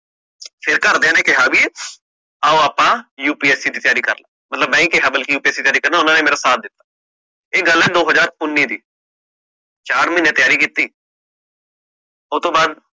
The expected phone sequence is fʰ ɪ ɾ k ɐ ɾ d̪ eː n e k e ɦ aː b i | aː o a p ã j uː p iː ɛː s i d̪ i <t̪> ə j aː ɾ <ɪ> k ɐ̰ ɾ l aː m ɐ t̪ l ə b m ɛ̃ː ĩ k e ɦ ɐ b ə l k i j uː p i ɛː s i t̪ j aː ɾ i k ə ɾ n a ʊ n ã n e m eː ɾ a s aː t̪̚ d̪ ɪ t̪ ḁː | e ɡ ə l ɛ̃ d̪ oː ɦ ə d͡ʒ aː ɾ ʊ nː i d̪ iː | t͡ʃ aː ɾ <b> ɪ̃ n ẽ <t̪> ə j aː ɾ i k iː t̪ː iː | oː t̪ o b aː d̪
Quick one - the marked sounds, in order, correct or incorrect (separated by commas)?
correct, incorrect, incorrect, correct